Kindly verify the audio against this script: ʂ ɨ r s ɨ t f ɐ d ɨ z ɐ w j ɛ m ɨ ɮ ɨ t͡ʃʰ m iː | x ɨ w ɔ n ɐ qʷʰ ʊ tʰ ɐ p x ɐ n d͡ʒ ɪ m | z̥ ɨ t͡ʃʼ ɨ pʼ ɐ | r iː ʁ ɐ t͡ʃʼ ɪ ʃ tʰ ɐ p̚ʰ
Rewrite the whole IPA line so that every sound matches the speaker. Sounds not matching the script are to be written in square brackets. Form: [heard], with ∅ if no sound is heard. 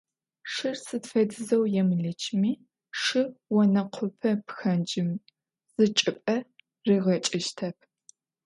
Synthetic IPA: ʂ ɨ r s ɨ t f ɐ d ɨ z ɐ w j ɛ m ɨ ɮ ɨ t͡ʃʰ m iː | [ʂ] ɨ w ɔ n ɐ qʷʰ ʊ [pʰ] ɐ p x ɐ n d͡ʒ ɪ m | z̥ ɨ t͡ʃʼ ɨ pʼ ɐ | r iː ʁ ɐ t͡ʃʼ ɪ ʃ tʰ ɐ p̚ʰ